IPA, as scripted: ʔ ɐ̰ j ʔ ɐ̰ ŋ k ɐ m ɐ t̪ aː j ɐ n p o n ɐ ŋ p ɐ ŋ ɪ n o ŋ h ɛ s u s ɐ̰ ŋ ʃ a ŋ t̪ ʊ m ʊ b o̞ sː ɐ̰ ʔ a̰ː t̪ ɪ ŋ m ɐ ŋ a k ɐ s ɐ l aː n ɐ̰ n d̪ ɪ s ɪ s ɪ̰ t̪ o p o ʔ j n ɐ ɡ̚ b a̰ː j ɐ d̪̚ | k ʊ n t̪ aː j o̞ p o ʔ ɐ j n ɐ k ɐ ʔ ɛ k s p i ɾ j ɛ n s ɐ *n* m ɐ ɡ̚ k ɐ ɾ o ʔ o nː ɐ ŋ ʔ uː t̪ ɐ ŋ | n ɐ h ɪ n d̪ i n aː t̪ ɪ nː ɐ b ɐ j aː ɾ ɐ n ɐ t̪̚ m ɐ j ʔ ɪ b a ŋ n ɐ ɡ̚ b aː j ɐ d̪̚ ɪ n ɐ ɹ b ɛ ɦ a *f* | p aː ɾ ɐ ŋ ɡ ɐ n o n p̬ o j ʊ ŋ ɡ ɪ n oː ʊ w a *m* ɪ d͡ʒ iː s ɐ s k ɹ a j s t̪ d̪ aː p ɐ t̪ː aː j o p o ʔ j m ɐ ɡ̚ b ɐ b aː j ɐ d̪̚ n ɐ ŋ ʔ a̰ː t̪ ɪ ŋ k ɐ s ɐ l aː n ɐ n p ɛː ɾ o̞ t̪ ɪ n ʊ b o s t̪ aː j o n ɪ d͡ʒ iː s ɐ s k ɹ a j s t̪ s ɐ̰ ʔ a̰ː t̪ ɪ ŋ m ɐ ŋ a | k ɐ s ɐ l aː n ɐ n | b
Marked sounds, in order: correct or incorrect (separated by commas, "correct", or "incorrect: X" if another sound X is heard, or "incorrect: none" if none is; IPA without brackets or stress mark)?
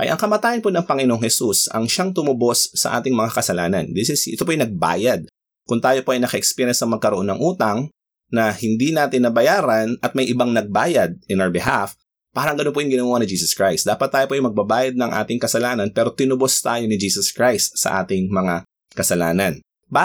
incorrect: ŋ, correct, incorrect: n